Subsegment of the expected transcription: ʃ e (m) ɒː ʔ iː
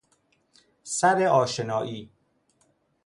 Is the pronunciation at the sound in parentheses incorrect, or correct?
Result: incorrect